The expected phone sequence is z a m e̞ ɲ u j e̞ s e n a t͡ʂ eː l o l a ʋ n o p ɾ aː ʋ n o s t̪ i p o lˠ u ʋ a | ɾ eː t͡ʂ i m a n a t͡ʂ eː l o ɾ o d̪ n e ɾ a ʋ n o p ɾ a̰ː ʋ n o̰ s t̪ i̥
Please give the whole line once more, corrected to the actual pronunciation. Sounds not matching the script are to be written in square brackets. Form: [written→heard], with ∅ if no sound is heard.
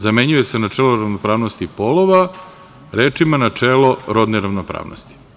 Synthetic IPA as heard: z a m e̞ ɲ u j e̞ s e n a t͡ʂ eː l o [l→ɾ] a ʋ n o p ɾ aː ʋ n o s t̪ i p o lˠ [u→o] ʋ a | ɾ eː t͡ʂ i m a n a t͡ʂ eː l o ɾ o d̪ n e ɾ a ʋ n o p ɾ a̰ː ʋ n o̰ s t̪ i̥